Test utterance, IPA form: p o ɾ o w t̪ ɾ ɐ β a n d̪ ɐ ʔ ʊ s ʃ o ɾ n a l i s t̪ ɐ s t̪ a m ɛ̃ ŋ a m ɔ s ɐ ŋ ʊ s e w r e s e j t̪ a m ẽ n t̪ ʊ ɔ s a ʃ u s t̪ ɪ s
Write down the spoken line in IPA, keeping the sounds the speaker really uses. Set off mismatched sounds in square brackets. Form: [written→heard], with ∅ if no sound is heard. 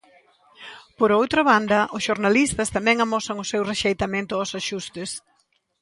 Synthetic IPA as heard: p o ɾ o w t̪ ɾ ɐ β a n d̪ ɐ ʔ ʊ s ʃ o ɾ n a l i s t̪ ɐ s t̪ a m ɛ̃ ŋ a m ɔ s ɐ ŋ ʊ s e w r e [s→ʃ] e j t̪ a m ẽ n t̪ ʊ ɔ s a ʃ u s t̪ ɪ s